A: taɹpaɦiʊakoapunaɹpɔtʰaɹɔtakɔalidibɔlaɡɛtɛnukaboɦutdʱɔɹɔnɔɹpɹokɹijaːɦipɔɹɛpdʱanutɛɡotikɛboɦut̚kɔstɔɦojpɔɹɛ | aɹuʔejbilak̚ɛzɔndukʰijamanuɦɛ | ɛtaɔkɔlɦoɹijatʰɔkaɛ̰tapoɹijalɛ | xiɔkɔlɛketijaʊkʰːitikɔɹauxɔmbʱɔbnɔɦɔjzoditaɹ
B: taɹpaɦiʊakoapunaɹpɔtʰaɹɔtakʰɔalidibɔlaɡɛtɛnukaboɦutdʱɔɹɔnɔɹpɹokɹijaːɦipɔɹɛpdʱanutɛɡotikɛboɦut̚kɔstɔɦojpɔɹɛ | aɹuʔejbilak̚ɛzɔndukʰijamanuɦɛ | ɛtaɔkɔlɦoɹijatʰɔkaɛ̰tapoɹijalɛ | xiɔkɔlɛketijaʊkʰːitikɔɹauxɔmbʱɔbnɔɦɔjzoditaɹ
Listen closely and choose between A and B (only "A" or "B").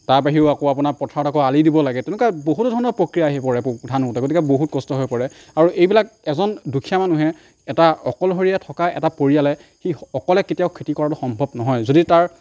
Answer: A